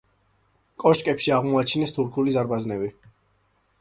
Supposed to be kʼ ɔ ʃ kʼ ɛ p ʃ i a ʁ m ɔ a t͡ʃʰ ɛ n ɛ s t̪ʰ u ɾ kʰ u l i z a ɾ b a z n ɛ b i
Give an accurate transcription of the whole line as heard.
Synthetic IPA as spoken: kʼ ɔ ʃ kʼ ɛ p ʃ i a ʁ m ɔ a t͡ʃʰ i n ɛ s t̪ʰ u ɾ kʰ u l i z a ɾ b a z n ɛ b i